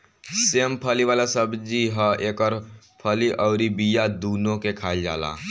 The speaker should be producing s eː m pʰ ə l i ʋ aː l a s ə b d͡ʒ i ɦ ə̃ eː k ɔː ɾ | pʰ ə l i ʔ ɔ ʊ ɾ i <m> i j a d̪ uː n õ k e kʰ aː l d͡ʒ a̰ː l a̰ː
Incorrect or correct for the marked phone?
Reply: incorrect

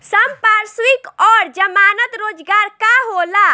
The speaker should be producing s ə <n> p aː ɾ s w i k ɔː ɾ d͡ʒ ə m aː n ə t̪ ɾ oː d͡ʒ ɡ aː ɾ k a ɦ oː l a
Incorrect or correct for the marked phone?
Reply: incorrect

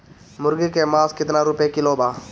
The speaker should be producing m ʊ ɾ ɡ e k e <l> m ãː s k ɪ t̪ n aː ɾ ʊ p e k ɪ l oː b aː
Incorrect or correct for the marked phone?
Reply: incorrect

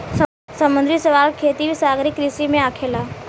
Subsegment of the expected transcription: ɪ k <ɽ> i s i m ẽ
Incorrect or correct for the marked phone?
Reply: incorrect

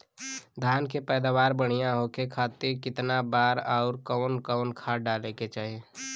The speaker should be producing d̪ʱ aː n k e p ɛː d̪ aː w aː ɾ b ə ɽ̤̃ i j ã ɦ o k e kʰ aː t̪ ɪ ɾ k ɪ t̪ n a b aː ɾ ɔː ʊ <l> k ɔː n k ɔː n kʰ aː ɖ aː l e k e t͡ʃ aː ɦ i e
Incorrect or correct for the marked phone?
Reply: incorrect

